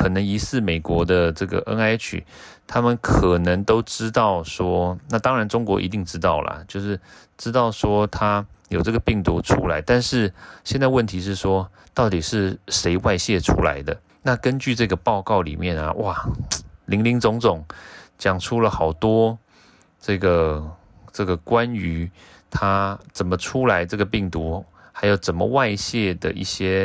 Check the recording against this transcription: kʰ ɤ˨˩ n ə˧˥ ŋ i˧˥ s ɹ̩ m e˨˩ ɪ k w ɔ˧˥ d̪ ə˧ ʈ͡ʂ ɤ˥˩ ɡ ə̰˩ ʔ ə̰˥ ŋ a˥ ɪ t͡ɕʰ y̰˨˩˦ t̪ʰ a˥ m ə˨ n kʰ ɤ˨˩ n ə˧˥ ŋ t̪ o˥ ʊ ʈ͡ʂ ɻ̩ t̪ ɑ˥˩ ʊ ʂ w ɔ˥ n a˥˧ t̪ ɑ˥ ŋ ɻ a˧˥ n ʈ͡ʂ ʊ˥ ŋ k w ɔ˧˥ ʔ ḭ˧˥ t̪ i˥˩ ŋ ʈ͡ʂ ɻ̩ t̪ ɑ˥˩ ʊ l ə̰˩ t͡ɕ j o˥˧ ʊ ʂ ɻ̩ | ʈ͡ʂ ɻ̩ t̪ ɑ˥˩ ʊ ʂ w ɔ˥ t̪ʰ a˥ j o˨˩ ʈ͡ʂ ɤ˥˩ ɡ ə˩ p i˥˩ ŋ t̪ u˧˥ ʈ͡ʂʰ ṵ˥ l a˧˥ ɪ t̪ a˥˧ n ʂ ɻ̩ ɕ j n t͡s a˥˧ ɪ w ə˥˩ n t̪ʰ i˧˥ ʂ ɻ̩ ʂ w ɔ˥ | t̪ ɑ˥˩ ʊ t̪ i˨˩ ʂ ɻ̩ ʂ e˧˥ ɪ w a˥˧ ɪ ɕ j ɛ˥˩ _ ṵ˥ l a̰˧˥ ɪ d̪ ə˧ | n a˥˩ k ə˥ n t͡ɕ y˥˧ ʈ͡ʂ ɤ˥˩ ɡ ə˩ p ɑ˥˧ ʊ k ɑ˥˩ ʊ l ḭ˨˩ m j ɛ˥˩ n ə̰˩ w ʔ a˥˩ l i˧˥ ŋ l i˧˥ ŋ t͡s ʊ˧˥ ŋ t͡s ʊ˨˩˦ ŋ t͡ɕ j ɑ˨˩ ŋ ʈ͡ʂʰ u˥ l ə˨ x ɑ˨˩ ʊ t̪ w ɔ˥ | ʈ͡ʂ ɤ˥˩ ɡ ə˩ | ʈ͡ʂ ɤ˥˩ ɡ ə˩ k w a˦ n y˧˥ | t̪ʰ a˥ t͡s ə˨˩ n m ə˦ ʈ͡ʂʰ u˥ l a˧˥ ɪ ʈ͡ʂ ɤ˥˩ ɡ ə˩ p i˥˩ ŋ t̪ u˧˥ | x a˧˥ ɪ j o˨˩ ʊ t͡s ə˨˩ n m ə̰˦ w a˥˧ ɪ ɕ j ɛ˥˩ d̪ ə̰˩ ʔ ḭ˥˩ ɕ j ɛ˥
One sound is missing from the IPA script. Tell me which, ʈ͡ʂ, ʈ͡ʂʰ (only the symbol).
ʈ͡ʂʰ